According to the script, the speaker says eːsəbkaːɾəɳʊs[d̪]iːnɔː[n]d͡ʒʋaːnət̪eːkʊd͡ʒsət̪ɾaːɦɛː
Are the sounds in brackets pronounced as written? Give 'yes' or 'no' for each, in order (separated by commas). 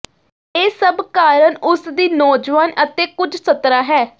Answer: yes, no